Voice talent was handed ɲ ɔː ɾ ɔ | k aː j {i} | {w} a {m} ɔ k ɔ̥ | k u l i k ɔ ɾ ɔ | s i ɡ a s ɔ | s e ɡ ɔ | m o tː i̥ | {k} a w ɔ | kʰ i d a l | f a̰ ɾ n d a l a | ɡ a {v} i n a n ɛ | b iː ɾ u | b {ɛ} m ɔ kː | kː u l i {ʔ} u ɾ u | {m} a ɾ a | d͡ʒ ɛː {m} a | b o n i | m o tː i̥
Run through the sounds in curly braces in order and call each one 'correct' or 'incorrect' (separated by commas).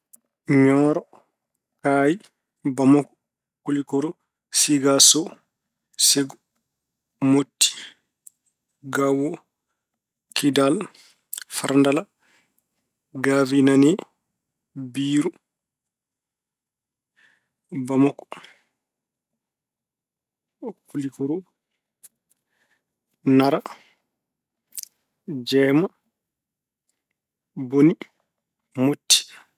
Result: correct, incorrect, correct, incorrect, correct, incorrect, incorrect, incorrect, correct